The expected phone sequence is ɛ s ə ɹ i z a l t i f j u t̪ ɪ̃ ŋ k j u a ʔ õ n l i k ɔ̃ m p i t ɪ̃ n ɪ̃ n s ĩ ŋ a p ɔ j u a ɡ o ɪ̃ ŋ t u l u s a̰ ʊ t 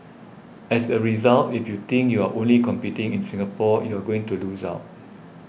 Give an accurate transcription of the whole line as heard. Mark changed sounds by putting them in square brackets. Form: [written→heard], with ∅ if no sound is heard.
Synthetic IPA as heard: ɛ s ə ɹ i z a l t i f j u t̪ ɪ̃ ŋ k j u a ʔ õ n l i k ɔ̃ m p i t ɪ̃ [n→ŋ] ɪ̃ n s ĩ ŋ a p ɔ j u a ɡ o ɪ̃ ŋ t u l u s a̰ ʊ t